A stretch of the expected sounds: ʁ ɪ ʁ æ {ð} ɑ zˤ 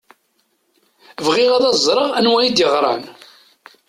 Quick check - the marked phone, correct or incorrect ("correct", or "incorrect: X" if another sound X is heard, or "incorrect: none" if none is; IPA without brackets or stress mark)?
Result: correct